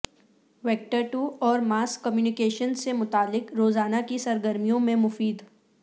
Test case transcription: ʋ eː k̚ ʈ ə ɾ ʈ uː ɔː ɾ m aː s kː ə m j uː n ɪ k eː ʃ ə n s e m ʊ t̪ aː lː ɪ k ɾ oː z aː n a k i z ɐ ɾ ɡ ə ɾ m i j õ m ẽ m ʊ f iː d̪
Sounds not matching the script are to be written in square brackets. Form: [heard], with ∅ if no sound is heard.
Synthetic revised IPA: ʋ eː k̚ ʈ ə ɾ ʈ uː ɔː ɾ m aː s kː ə m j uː n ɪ k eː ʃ ə n s e m ʊ t̪ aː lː ɪ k ɾ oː z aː n a k i [s] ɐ ɾ ɡ ə ɾ m i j õ m ẽ m ʊ f iː d̪